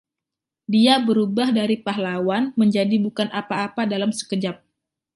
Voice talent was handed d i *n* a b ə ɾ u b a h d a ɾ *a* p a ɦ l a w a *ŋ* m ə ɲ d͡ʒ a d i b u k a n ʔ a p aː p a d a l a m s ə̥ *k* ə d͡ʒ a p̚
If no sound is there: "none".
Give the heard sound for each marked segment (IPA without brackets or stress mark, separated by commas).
none, i, n, k